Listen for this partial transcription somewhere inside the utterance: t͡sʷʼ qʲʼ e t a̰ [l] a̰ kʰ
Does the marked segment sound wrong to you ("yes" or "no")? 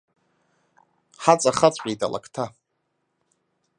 no